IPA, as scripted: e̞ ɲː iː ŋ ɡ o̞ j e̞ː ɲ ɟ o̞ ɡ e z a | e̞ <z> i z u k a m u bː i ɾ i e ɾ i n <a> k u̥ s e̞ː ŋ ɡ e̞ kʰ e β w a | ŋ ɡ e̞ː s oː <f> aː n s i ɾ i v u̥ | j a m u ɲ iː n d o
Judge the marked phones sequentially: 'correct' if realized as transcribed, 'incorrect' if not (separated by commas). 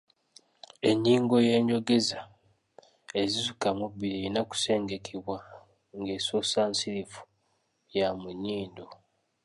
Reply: correct, correct, incorrect